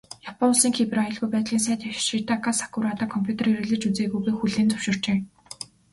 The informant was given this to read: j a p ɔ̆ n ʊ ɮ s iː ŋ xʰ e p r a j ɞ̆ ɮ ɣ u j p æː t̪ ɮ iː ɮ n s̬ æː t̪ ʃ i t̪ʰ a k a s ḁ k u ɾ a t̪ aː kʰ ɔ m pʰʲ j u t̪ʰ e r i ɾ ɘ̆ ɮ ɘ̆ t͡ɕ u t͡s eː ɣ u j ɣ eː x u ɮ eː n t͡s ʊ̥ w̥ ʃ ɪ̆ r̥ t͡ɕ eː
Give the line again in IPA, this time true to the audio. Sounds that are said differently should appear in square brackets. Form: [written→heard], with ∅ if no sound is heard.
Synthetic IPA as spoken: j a p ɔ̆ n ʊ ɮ s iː ŋ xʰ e p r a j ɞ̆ ɮ ɣ u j p æː t̪ ɮ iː [ɮ→∅] n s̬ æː t̪ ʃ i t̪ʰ a k a s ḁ k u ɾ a t̪ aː kʰ ɔ m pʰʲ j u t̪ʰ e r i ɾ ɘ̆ ɮ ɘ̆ t͡ɕ u t͡s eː ɣ u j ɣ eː x u ɮ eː n t͡s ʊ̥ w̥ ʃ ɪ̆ r̥ t͡ɕ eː